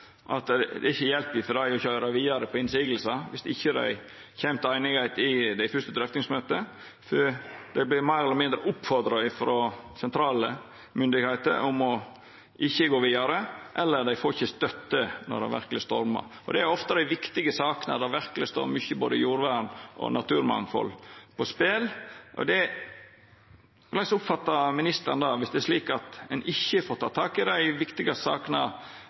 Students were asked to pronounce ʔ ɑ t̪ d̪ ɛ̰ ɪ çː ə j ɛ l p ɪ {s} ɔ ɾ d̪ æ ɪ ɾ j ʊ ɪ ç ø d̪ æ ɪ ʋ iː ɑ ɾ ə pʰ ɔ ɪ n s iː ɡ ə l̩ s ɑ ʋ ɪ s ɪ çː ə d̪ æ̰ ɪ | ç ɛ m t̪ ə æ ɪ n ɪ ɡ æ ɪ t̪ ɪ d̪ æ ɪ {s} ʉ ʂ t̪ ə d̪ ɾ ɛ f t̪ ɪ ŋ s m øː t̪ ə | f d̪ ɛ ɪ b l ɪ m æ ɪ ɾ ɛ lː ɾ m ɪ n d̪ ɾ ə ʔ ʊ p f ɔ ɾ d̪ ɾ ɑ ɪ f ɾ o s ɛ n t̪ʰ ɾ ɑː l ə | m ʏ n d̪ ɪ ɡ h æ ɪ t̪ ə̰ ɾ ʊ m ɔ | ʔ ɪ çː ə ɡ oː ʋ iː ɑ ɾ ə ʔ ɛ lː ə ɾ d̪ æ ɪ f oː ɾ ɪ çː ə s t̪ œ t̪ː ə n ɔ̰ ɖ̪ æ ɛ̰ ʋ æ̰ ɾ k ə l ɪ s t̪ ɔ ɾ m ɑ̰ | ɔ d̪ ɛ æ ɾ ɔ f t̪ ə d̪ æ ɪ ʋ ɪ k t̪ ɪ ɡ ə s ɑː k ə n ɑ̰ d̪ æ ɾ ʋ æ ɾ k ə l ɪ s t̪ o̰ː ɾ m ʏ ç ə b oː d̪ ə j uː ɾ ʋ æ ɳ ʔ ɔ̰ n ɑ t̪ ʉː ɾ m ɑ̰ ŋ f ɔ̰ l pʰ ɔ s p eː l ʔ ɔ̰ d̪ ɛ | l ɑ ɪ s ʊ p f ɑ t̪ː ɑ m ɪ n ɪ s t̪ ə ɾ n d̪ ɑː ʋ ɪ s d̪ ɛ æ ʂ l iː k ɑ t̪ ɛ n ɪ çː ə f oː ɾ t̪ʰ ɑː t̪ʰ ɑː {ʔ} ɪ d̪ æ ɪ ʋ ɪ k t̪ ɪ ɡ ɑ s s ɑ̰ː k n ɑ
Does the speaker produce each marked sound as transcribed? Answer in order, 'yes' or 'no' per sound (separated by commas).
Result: no, no, no